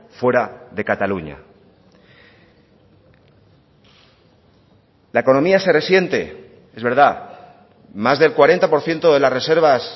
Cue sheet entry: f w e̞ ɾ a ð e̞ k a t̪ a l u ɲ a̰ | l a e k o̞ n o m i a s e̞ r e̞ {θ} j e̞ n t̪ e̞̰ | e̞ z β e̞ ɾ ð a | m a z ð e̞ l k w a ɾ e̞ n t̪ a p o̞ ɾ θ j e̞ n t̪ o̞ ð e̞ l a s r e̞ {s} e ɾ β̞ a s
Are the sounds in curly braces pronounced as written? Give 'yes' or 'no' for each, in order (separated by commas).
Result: no, yes